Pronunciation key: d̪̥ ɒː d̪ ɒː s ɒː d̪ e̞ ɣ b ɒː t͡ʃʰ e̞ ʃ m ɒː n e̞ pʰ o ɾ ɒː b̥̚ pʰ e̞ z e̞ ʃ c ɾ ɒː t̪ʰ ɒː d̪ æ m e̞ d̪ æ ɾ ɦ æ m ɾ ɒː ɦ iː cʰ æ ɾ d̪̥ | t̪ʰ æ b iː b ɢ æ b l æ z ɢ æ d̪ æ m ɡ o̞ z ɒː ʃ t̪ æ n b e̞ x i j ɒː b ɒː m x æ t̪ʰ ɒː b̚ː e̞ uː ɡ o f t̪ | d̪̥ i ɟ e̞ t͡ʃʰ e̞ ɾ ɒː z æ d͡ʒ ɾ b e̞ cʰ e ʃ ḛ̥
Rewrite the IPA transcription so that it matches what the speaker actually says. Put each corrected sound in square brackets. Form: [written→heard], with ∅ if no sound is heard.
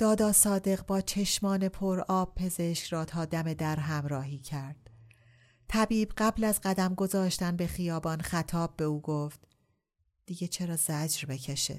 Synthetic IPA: d̪̥ ɒː d̪ ɒː s ɒː d̪ e̞ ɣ b ɒː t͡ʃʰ e̞ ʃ m ɒː n e̞ pʰ o ɾ ɒː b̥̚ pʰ e̞ z e̞ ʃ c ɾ ɒː t̪ʰ ɒː d̪ æ m e̞ d̪ æ ɾ ɦ æ m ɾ ɒː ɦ iː cʰ æ ɾ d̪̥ | t̪ʰ æ b iː b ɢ æ b l æ z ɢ æ d̪ æ m ɡ o̞ z ɒː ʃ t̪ æ n b e̞ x i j ɒː b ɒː [m→n] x æ t̪ʰ ɒː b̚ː e̞ uː ɡ o f t̪ | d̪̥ i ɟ e̞ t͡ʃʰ e̞ ɾ ɒː z æ d͡ʒ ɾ b e̞ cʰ e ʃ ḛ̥